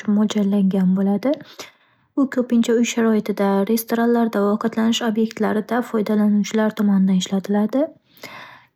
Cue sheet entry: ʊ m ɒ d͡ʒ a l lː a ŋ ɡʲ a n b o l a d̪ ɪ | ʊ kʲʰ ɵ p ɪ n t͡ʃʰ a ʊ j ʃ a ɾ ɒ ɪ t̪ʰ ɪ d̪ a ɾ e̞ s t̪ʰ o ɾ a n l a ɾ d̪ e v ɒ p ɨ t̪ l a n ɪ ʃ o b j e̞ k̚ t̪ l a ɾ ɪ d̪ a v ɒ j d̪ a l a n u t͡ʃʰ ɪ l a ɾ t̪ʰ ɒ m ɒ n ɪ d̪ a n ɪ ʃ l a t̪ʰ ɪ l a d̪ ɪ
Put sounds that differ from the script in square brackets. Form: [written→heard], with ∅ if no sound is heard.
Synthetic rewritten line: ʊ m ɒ d͡ʒ a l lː a ŋ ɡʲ a n b o l a d̪ ɪ | ʊ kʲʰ ɵ p ɪ n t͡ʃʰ a ʊ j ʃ a ɾ ɒ ɪ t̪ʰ ɪ d̪ a ɾ e̞ s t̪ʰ o ɾ a n l a ɾ d̪ [e→a] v ɒ [p→q] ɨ t̪ l a n ɪ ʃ o b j e̞ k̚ t̪ l a ɾ ɪ d̪ a [v→f] ɒ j d̪ a l a n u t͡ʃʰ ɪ l a ɾ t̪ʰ ɒ m ɒ n ɪ d̪ a n ɪ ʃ l a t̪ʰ ɪ l a d̪ ɪ